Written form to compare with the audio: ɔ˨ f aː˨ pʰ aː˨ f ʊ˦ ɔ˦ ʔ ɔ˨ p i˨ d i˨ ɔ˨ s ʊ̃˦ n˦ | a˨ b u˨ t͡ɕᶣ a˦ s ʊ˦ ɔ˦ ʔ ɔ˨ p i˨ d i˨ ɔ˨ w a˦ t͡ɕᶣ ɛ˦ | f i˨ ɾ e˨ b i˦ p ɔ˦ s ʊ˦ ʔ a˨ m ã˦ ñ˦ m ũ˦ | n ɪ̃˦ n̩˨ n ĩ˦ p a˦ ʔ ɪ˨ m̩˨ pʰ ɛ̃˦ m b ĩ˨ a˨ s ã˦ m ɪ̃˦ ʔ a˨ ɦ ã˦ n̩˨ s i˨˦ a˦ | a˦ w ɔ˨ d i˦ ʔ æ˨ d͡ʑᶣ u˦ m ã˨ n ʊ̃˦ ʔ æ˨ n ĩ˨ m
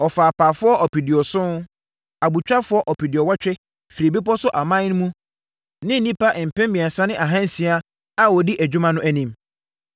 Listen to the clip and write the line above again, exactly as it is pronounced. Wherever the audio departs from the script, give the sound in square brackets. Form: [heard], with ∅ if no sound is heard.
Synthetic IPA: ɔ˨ f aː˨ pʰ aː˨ f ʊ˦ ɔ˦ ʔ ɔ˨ p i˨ d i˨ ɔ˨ s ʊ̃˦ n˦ | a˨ b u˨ t͡ɕᶣ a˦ [f] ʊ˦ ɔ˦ ʔ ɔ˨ p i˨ d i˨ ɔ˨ w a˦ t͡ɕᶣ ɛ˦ | f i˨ ɾ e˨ b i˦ p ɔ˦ s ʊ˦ ʔ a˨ m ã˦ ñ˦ m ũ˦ | n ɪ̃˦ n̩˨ n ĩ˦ p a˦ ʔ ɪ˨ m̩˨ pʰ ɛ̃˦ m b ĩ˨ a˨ s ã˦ [n] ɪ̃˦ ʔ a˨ ɦ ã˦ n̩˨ s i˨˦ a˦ | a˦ w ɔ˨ d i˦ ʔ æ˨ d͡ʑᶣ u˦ m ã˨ n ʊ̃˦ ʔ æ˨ n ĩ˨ m